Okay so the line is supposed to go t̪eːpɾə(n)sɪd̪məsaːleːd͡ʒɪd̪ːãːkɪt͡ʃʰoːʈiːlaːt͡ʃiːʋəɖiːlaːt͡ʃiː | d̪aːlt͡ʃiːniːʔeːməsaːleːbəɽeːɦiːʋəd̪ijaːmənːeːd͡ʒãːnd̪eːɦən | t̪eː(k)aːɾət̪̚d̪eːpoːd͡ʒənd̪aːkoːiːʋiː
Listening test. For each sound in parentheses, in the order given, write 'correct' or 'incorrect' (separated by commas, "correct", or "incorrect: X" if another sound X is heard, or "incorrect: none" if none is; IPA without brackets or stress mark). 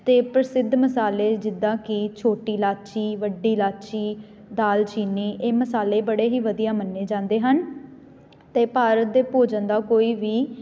incorrect: none, incorrect: p